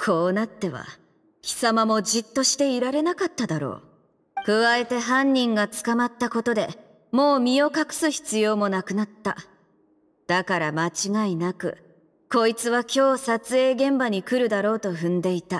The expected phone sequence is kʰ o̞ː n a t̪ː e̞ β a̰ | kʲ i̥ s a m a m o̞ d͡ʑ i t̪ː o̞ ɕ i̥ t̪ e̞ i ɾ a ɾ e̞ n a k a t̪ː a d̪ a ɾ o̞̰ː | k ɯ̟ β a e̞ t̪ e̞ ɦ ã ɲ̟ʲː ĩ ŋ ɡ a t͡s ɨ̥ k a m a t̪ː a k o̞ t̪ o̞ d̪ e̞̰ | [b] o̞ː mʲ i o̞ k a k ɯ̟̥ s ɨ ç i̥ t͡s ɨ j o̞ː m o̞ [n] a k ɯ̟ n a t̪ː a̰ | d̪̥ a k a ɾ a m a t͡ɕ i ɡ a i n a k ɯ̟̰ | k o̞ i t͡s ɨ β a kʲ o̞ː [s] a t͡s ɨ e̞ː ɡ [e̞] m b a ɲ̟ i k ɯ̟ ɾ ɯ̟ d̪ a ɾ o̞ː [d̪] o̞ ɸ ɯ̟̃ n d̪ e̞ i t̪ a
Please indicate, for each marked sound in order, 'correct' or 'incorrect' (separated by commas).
incorrect, correct, correct, incorrect, incorrect